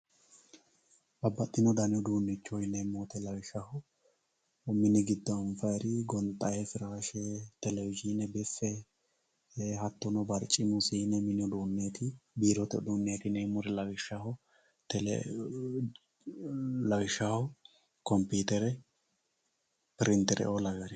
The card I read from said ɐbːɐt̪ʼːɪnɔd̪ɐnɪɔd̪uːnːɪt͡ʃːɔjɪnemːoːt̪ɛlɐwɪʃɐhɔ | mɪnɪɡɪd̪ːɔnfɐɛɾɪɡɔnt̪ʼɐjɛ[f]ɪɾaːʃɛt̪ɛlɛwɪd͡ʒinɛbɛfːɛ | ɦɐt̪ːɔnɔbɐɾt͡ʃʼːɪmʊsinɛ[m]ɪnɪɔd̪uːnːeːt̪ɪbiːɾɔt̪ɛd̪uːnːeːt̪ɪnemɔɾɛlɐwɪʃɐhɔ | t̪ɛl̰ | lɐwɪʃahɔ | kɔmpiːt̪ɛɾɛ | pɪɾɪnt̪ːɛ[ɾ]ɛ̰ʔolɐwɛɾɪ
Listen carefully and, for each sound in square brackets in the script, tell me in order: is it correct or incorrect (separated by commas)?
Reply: correct, correct, correct